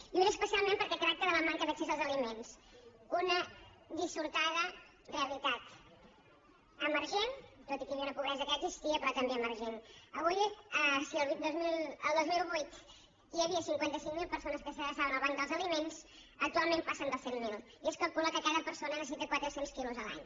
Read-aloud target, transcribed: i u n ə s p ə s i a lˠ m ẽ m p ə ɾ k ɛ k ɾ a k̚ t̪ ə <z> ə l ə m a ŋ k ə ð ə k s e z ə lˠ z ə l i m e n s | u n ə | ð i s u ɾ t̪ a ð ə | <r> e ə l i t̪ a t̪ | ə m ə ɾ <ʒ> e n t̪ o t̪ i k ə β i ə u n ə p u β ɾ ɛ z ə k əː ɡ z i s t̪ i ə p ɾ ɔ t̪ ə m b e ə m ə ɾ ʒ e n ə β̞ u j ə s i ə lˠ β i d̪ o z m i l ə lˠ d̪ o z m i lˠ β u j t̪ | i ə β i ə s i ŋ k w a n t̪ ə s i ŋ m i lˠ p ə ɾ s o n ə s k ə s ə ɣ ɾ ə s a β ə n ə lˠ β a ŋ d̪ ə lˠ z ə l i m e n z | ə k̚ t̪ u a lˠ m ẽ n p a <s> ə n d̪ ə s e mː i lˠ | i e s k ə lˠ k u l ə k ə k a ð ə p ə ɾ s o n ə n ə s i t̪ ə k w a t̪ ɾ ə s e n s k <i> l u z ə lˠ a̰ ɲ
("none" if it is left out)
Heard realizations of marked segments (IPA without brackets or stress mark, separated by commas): ð, r, ʒ, s, i